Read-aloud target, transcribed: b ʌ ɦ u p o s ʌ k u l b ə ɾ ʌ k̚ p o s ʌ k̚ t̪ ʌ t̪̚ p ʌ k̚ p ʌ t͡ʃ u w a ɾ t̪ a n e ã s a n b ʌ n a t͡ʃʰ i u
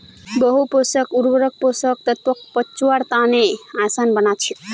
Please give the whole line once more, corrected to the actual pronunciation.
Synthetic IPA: b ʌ ɦ u p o s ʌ k u ɾ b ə ɾ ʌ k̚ p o s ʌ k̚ t̪ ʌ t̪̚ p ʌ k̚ p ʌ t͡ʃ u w a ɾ t̪ a n e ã s a n b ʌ n a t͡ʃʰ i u